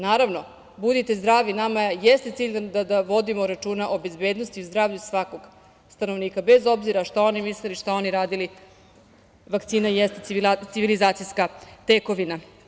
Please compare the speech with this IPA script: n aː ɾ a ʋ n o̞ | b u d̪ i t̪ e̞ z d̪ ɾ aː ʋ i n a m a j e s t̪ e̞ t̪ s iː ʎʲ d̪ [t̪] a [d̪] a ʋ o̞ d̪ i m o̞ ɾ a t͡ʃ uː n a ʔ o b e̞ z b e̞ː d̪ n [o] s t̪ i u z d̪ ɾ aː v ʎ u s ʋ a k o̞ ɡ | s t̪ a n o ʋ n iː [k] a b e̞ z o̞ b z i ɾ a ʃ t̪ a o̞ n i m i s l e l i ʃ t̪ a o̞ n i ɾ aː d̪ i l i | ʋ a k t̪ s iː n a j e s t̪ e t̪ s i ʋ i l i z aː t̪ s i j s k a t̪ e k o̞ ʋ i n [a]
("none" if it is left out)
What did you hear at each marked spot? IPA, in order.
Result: d̪, d̪, o, k, a

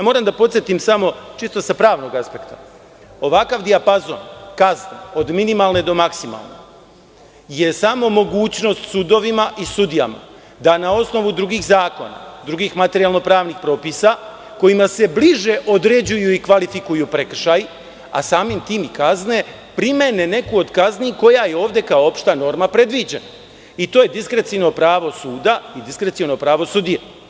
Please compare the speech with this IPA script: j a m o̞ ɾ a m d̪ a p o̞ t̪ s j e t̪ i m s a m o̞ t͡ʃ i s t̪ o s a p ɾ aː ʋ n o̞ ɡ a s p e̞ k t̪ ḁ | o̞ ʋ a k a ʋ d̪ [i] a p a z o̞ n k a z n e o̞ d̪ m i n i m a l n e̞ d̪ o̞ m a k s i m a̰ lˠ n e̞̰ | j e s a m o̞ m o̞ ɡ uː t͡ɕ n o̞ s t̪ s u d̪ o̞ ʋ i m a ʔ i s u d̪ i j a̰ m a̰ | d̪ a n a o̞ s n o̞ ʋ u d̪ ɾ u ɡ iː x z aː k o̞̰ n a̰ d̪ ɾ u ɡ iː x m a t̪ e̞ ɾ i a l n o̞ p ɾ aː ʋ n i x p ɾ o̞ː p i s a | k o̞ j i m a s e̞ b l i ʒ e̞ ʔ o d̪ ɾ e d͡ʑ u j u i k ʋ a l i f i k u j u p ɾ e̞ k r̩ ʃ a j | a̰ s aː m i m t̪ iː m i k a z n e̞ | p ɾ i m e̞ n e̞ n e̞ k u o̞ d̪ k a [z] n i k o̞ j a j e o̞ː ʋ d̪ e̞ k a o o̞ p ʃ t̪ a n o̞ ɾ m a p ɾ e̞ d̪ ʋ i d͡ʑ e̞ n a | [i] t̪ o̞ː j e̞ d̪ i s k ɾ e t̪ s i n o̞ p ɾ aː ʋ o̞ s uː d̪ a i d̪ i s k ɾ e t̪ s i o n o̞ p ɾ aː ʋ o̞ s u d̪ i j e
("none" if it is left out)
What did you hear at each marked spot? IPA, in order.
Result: i, z, i

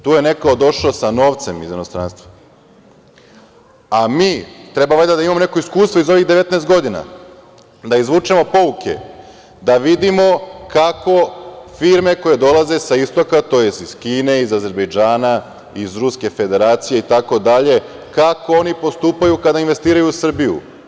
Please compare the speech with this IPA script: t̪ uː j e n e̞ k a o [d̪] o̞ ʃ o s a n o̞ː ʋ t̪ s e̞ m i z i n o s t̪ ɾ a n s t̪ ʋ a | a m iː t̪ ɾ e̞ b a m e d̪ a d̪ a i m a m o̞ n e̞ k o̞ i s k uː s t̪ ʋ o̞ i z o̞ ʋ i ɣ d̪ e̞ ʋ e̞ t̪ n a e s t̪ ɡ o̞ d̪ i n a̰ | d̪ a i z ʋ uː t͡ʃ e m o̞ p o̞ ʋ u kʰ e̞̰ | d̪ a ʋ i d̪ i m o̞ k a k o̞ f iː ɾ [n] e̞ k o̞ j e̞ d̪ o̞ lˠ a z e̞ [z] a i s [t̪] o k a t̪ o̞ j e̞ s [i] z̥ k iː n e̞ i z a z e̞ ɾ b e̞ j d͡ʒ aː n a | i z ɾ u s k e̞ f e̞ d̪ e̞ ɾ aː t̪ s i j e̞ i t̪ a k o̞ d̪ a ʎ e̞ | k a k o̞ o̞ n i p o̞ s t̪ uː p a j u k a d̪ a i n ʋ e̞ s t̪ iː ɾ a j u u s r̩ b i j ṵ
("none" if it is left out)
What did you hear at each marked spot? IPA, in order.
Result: d̪, m, s, t̪, i

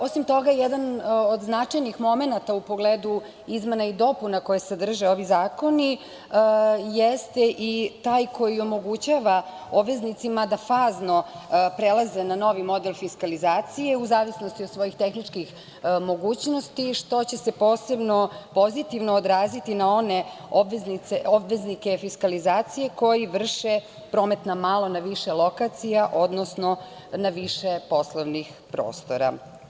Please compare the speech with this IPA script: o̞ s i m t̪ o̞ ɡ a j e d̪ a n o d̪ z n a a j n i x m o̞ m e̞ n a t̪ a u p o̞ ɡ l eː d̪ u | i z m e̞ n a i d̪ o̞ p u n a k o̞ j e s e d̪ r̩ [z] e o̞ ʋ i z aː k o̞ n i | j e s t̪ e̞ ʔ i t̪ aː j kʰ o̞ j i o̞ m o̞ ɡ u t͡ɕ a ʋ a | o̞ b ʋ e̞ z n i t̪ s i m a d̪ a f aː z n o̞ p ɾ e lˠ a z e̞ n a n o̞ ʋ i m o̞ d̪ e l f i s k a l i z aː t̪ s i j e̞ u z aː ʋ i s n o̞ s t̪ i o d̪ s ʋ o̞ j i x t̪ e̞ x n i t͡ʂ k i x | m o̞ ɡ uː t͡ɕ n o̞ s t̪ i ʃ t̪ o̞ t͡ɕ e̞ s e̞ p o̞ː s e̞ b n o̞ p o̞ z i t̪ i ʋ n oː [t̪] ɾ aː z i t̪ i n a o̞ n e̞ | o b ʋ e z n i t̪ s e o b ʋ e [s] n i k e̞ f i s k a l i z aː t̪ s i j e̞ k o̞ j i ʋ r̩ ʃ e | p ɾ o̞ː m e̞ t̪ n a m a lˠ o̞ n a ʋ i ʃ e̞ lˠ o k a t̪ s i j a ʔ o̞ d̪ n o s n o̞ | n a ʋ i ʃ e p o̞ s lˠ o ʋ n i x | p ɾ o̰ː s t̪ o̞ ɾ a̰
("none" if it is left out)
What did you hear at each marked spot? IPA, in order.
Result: ʒ, d̪, z

